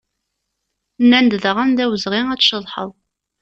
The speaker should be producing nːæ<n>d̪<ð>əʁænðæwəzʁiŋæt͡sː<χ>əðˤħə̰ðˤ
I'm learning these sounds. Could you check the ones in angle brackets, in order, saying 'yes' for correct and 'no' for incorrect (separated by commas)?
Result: yes, yes, no